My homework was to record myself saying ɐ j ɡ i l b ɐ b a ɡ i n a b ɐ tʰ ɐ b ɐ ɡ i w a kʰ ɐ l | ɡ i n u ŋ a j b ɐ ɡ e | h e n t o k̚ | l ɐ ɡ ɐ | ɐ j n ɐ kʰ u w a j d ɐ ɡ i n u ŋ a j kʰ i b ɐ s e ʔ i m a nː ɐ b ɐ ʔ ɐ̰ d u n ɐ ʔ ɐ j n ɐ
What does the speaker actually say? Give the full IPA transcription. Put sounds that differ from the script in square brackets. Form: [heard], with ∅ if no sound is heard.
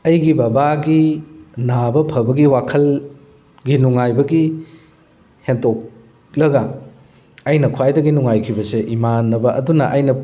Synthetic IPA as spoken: ɐ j ɡ i [∅] b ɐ b a ɡ i n a b ɐ [pʰ] ɐ b ɐ ɡ i w a kʰ ɐ l | ɡ i n u ŋ a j b ɐ ɡ [i] | h e n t o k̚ | l ɐ ɡ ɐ | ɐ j n ɐ kʰ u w a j d ɐ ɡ i n u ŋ a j kʰ i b ɐ s e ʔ i m a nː ɐ b ɐ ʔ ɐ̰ d u n ɐ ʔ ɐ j n ɐ

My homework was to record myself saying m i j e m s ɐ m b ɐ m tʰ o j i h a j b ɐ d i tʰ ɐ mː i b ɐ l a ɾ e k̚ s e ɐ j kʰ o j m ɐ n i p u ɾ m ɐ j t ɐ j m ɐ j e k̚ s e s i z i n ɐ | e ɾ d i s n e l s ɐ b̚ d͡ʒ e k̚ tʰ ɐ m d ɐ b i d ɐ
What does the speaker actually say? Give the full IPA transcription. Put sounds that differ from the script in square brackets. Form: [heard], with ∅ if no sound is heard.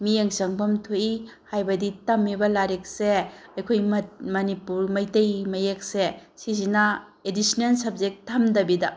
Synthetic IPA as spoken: m i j e [ŋ] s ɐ [ŋ] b ɐ m tʰ o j i h a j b ɐ d i [t] ɐ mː i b ɐ l a ɾ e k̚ s e ɐ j kʰ o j m ɐ n i p u ɾ m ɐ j t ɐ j m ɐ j e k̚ s e s i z i n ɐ | e [∅] d i s n e l s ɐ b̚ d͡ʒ e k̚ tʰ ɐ m d ɐ b i d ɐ

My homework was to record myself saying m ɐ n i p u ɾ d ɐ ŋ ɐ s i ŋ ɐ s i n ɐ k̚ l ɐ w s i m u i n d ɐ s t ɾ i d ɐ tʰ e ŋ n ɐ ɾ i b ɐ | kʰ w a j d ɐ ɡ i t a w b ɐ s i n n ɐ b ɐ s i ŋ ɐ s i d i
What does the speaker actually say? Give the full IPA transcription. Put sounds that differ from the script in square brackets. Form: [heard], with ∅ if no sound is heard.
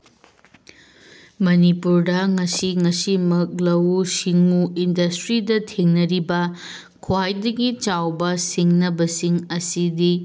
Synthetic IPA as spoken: m ɐ n i p u ɾ d ɐ ŋ ɐ s i ŋ ɐ s i [m] ɐ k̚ l ɐ w s i [ŋ] u i n d ɐ s t ɾ i d ɐ tʰ e ŋ n ɐ ɾ i b ɐ | kʰ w a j d ɐ ɡ i [t͡ʃ] a w b ɐ s i [ŋ] n ɐ b ɐ s i ŋ ɐ s i d i

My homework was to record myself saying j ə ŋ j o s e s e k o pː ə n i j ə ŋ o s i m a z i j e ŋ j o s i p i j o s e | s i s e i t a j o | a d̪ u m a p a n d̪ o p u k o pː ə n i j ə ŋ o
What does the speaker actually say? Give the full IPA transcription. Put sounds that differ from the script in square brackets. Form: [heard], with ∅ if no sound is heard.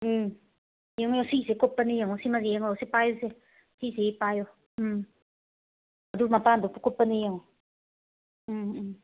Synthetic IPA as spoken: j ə ŋ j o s [i] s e k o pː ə n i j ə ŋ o s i m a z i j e ŋ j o s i p [a] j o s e | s i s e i [p] a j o | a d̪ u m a p a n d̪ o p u k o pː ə n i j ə ŋ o

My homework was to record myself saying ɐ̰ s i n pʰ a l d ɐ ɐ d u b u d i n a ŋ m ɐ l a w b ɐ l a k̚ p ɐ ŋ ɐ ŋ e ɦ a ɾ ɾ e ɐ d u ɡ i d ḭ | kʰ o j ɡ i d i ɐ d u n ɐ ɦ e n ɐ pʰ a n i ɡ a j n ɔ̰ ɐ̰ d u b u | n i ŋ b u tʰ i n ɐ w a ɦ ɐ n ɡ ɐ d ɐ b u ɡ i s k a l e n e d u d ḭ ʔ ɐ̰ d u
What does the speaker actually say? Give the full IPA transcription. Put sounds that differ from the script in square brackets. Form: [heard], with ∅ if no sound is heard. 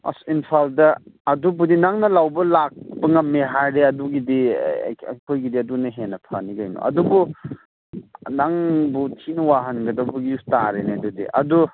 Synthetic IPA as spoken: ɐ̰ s i n pʰ a l d ɐ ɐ d u b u d i n a ŋ [n] ɐ l a w b ɐ l a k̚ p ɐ ŋ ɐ [m] e ɦ a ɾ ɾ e ɐ d u ɡ i d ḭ | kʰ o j ɡ i d i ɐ d u n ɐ ɦ e n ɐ pʰ a n i ɡ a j n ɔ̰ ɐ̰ d u b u | n [a] ŋ b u tʰ i n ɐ w a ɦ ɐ n ɡ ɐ d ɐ b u ɡ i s [t] a [ɾ] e n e d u d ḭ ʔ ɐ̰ d u

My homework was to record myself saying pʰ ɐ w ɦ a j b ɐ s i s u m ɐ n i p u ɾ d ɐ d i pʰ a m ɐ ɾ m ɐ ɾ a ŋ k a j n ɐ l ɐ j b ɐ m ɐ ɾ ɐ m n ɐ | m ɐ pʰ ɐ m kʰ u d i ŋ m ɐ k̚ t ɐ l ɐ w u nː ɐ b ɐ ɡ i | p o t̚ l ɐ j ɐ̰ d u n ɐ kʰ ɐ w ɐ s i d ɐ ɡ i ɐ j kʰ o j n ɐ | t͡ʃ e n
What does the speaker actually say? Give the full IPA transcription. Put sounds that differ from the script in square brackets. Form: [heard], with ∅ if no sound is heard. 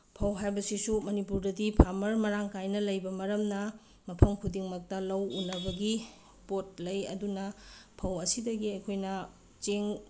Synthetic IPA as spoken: pʰ ɐ w ɦ a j b ɐ s i s u m ɐ n i p u ɾ d ɐ d i pʰ a m ɐ ɾ m ɐ ɾ a ŋ k a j n ɐ l ɐ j b ɐ m ɐ ɾ ɐ m n ɐ | m ɐ pʰ ɐ m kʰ u d i ŋ m ɐ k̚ t ɐ l ɐ w u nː ɐ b ɐ ɡ i | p o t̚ l ɐ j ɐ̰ d u n ɐ [pʰ] ɐ w ɐ s i d ɐ ɡ i ɐ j kʰ o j n ɐ | t͡ʃ e [ŋ]

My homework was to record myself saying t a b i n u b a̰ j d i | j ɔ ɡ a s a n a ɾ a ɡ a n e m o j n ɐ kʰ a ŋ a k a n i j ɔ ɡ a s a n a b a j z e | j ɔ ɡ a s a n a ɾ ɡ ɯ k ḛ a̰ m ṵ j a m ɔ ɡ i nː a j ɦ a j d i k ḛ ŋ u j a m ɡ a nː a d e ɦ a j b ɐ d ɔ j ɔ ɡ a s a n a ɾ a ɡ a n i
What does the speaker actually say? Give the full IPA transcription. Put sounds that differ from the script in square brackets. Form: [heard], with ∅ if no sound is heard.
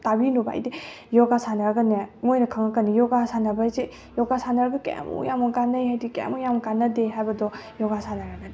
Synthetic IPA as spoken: t a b i n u b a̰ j d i | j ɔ ɡ a s a n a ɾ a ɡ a n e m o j n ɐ kʰ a ŋ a k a n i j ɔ ɡ a s a n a b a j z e | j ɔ ɡ a s a n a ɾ ɡ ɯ k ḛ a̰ m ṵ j a m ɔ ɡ [a] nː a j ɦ a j d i k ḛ [m] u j a m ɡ a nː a d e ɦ a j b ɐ d ɔ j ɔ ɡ a s a n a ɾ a ɡ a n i

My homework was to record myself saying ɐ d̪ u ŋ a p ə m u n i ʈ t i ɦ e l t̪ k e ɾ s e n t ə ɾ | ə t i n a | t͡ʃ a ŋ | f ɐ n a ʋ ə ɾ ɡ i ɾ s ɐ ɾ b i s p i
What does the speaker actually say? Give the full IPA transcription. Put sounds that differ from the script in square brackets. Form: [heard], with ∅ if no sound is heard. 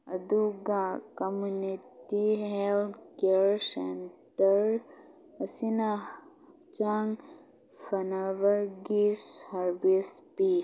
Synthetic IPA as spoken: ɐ d̪ u [ɡ] a [k] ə m u n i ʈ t i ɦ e l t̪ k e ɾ s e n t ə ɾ | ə [s] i n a | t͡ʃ a ŋ | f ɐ n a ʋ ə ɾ ɡ i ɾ s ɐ ɾ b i s p i

